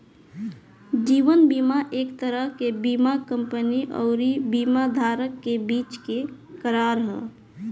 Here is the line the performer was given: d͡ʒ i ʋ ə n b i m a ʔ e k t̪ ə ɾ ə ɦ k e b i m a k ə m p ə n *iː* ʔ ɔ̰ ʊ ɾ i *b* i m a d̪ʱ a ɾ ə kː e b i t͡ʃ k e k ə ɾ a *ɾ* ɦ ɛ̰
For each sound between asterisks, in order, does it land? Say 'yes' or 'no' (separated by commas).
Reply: no, yes, yes